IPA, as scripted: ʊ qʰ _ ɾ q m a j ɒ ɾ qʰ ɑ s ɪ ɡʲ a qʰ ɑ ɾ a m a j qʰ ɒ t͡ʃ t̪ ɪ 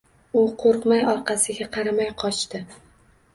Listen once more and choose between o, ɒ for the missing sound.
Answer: o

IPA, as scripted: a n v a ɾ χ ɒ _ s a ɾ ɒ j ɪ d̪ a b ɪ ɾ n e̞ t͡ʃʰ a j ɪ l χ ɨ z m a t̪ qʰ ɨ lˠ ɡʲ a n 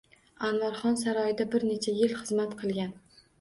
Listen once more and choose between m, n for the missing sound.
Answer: n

